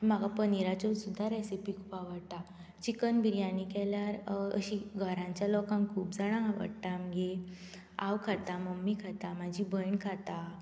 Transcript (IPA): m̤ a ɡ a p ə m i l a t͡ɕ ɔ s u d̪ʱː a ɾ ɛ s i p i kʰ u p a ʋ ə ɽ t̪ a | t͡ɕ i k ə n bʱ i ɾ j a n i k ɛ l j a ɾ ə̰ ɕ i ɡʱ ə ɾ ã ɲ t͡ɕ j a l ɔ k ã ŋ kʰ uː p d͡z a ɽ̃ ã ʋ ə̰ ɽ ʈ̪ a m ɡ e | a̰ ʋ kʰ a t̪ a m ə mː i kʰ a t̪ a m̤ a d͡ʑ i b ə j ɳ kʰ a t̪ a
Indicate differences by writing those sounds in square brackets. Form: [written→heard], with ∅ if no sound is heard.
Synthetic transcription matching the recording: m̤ a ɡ a p ə [m→n] i [l→ɾ] a t͡ɕ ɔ s u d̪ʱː a ɾ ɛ s i p i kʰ u p a ʋ ə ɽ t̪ a | t͡ɕ i k ə n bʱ i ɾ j a n i k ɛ l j a ɾ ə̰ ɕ i ɡʱ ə ɾ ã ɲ t͡ɕ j a l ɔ k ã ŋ kʰ uː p d͡z a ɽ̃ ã ʋ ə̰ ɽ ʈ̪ a m ɡ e | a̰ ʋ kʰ a t̪ a m ə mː i kʰ a t̪ a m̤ a d͡ʑ i b ə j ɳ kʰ a t̪ a